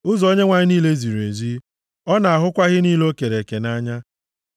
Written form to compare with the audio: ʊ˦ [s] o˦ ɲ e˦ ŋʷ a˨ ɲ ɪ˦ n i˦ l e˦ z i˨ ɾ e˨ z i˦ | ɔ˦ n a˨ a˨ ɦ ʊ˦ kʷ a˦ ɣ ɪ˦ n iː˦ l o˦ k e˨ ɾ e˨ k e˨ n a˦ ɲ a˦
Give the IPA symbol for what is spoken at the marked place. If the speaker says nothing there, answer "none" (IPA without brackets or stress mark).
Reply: z